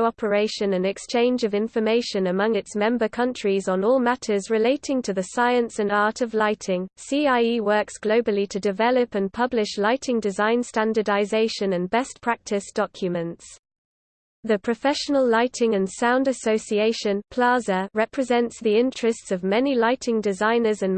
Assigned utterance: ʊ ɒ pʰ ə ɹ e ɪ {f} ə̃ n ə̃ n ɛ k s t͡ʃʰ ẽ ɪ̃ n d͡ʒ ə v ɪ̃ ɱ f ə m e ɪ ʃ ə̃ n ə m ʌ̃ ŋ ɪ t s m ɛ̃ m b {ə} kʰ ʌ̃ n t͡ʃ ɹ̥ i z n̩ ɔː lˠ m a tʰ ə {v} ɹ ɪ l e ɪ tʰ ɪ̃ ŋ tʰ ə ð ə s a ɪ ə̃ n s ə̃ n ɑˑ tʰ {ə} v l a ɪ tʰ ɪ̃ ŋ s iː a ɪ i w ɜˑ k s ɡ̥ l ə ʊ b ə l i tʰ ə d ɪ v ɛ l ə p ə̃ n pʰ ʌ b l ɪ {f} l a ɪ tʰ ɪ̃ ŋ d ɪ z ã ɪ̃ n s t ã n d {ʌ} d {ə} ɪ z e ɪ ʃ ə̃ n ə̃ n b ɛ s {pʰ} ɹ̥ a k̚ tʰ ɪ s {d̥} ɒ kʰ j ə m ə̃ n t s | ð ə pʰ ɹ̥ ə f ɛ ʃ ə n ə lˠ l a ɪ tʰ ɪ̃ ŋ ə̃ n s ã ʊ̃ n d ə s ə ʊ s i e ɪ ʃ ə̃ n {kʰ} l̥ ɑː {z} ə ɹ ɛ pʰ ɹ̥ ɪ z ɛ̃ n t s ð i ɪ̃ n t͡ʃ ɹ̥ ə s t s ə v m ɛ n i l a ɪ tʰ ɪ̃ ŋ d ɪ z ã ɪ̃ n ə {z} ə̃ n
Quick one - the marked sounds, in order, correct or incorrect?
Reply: incorrect, correct, incorrect, correct, incorrect, incorrect, incorrect, correct, correct, incorrect, correct, correct

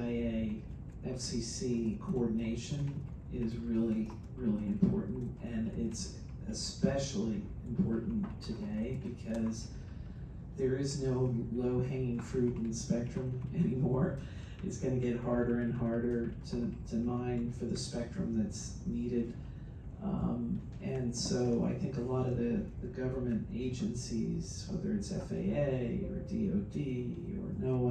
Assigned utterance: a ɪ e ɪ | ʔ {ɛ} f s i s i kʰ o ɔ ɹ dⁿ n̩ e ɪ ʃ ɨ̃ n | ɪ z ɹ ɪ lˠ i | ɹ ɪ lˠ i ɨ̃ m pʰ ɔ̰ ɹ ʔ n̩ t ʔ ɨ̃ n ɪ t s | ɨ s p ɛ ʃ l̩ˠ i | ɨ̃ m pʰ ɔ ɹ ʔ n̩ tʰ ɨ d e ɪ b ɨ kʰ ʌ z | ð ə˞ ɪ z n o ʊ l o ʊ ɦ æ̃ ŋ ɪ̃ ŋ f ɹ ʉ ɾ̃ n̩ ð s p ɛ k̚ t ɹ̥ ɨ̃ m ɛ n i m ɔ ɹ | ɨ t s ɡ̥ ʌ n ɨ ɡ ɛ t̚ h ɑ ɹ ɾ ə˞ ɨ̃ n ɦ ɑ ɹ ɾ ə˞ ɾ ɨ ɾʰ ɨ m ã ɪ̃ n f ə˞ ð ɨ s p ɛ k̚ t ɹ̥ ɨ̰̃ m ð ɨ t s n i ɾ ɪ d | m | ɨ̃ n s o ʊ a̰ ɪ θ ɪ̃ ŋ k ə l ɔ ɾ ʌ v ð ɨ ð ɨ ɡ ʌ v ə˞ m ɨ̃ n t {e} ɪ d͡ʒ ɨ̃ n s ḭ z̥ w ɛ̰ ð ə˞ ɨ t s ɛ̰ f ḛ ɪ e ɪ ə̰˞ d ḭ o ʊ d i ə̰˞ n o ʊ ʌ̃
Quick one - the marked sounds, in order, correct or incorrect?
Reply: correct, correct

